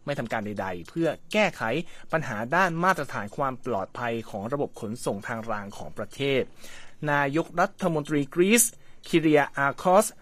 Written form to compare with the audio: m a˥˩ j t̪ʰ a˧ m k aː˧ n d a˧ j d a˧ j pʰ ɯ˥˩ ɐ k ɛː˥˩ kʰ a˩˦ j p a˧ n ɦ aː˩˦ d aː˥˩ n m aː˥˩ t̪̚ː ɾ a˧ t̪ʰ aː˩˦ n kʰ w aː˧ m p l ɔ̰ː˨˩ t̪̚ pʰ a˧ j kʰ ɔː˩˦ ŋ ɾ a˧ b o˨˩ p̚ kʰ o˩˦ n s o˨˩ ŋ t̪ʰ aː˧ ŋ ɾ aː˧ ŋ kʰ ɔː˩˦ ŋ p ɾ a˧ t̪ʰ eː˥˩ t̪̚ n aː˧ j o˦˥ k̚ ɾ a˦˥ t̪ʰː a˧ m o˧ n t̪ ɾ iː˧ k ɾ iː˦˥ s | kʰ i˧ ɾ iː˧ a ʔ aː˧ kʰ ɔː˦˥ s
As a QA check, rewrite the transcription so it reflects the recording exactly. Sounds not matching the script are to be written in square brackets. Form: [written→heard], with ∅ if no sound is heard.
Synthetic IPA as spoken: m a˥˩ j t̪ʰ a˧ m k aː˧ n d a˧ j d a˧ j pʰ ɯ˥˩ ɐ k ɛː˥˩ kʰ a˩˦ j p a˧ n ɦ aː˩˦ d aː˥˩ n m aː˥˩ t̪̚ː ɾ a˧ t̪ʰ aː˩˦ n kʰ w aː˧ m p l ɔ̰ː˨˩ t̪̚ pʰ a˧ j kʰ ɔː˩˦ ŋ ɾ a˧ b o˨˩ p̚ kʰ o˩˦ n s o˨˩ ŋ t̪ʰ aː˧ ŋ ɾ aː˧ ŋ kʰ ɔː˩˦ ŋ p ɾ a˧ t̪ʰ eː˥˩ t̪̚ n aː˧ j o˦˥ k̚ ɾ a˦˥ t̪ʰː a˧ m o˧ n t̪ ɾ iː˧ k ɾ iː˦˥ s | kʰ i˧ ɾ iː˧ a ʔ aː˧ kʰ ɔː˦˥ s